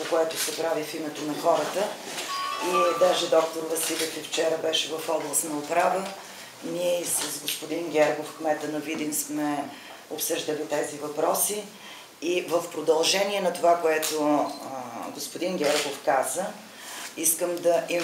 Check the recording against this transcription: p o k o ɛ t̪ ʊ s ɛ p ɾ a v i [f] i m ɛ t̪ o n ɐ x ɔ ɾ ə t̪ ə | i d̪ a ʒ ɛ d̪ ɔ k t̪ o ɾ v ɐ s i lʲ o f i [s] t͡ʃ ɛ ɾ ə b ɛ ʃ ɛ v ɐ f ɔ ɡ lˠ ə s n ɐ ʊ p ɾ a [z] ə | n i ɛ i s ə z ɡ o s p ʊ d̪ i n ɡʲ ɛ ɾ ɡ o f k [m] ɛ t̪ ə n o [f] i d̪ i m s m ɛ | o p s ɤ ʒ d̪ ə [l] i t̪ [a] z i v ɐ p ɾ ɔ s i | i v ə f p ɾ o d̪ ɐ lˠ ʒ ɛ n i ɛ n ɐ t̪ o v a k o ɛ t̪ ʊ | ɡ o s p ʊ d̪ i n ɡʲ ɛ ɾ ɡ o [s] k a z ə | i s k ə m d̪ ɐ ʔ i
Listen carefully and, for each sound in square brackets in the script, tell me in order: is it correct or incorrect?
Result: correct, incorrect, incorrect, correct, incorrect, correct, incorrect, incorrect

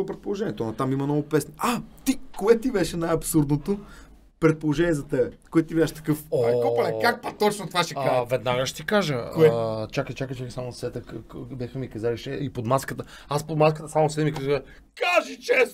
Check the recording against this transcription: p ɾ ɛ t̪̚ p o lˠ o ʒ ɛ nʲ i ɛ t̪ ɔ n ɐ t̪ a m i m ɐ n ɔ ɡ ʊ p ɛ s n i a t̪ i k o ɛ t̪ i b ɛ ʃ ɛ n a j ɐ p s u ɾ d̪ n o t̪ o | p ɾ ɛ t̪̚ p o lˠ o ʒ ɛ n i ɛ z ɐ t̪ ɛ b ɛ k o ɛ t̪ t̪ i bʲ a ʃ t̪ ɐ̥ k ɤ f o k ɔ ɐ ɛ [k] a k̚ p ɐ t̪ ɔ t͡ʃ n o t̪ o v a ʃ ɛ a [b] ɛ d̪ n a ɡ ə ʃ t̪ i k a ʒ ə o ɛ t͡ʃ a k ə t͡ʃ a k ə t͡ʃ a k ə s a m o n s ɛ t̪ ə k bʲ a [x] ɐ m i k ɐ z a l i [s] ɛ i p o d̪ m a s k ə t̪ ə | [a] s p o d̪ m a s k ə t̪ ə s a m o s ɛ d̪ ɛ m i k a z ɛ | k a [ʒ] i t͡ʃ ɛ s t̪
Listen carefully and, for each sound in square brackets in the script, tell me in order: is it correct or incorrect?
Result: correct, incorrect, correct, incorrect, correct, correct

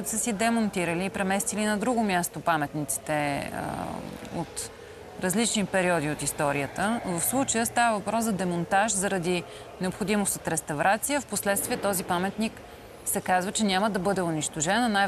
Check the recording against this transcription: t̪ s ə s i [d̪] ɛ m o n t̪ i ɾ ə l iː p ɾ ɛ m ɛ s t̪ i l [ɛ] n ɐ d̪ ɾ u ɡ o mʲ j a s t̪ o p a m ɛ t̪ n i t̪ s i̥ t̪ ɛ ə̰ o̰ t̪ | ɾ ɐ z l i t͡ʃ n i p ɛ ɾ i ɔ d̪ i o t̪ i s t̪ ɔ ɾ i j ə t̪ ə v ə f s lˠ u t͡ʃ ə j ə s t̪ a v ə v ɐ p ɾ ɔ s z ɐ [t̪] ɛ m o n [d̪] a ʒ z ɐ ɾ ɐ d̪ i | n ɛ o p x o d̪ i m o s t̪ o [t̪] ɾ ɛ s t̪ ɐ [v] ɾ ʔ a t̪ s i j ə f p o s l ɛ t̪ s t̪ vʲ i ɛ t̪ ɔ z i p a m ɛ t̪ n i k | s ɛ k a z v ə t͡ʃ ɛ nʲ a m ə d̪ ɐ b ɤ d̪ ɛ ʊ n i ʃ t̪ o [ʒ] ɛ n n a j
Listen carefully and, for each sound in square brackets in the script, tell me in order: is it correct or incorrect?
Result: correct, incorrect, incorrect, incorrect, correct, correct, correct

